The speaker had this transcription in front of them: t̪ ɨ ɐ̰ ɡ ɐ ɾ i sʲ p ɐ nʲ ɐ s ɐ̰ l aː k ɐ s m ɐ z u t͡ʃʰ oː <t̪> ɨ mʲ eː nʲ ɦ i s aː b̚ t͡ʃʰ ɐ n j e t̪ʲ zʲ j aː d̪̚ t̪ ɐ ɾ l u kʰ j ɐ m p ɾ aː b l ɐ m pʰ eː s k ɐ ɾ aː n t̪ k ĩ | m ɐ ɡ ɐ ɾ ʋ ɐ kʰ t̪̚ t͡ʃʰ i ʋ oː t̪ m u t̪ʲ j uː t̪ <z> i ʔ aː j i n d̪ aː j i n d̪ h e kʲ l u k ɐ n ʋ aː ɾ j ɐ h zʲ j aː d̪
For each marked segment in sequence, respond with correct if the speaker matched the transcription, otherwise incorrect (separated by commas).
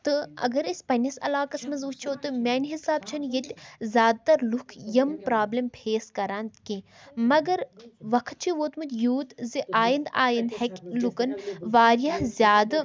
correct, correct